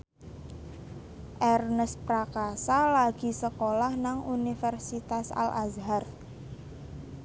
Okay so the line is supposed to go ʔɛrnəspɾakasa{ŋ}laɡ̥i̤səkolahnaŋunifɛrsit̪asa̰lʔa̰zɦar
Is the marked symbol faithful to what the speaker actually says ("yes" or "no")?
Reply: no